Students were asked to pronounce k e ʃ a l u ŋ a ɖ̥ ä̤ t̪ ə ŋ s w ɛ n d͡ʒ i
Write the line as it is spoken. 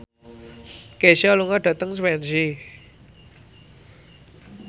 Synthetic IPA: k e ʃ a l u ŋ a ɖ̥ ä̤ t̪ ə ŋ s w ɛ n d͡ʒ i